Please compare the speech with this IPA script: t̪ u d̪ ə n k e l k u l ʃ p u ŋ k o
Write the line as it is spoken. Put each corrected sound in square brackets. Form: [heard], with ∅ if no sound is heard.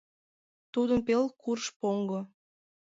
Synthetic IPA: t̪ u d̪ ə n [p] e l k u [r] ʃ p [o] ŋ [ɡ] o